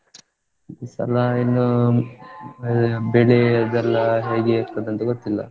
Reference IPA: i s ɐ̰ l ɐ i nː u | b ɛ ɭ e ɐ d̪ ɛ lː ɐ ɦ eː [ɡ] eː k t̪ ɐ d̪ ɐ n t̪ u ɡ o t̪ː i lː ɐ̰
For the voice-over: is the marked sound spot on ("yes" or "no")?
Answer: yes